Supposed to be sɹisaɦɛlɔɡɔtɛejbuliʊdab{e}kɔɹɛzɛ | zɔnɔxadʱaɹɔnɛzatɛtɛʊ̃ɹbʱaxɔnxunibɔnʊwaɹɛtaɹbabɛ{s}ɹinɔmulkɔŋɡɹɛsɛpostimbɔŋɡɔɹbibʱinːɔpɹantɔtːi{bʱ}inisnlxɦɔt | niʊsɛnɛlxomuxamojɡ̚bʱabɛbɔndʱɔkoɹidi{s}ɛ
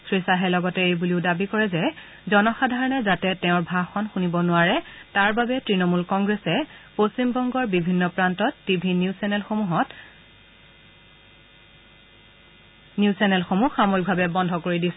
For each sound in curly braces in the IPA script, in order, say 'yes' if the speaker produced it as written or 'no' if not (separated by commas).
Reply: no, no, yes, yes